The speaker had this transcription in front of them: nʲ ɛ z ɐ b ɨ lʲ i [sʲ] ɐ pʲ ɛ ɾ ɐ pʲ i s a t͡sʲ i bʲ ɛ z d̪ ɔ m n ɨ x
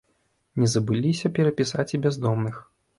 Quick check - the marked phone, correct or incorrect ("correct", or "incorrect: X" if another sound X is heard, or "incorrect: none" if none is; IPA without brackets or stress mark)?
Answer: correct